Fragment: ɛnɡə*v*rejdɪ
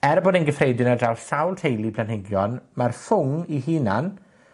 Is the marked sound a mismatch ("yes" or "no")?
yes